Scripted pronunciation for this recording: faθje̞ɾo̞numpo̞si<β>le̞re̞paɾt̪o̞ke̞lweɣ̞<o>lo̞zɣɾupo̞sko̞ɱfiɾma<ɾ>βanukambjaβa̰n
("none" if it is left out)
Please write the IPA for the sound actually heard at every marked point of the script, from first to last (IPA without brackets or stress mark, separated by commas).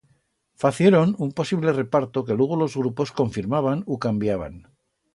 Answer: β, o, none